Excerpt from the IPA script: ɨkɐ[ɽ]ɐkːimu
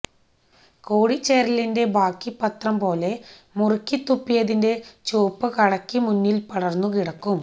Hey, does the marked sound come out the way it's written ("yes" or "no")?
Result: yes